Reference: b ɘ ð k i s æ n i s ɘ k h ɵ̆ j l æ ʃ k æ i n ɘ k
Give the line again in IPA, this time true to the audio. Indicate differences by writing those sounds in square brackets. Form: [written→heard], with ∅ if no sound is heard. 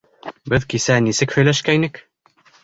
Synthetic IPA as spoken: b ɘ ð k i s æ n i s ɘ k h ɵ̆ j l æ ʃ k æ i n ɘ k